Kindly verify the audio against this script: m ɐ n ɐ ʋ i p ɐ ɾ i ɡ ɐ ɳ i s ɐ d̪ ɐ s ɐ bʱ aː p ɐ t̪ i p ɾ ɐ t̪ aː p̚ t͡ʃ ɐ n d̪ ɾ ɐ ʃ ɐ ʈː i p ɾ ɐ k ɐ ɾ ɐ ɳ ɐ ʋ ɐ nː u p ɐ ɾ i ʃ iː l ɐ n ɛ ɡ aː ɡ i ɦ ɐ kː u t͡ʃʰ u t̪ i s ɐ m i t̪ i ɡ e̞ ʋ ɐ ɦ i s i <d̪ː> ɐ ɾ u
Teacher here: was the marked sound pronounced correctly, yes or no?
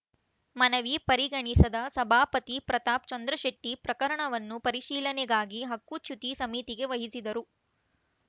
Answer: no